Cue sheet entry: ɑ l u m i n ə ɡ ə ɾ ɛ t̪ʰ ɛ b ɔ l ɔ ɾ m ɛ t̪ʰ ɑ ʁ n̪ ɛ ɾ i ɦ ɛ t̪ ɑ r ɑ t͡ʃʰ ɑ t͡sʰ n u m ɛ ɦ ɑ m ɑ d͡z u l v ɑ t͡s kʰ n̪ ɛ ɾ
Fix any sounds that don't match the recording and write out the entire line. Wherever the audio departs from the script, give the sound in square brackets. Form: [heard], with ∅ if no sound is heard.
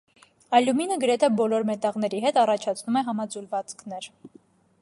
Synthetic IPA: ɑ l u m i n ə ɡ ə ɾ ɛ t̪ʰ ɛ b ɔ l ɔ ɾ m ɛ [t̪] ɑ ʁ n̪ ɛ ɾ i ɦ ɛ t̪ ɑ r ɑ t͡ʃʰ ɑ t͡sʰ n u m ɛ ɦ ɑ m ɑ d͡z u l v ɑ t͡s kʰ n̪ ɛ ɾ